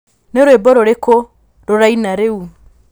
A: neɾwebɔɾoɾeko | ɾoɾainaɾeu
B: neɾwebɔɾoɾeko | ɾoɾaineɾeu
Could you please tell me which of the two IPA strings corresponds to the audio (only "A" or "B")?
A